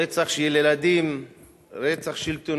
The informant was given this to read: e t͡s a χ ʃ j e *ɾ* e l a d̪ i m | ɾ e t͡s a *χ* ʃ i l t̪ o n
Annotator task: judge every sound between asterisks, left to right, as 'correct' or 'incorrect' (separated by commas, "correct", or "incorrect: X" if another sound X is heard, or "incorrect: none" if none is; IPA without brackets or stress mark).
incorrect: l, correct